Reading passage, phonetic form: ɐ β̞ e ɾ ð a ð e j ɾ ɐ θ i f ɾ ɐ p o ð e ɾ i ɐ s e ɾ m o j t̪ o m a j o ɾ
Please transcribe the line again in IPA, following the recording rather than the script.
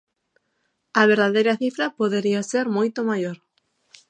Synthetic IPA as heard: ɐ β̞ e ɾ ð a ð e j ɾ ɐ θ i f ɾ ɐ p o ð e ɾ i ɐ s e ɾ m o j t̪ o m a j o ɾ